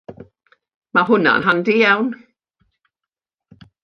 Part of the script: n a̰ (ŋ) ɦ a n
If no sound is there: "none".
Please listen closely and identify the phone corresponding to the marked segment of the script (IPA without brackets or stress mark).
n